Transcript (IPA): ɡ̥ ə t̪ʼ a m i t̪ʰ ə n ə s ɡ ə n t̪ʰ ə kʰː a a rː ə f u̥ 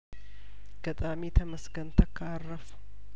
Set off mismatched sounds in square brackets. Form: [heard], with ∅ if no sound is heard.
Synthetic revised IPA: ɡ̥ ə t̪ʼ a m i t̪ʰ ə [m] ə s ɡ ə n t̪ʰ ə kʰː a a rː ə f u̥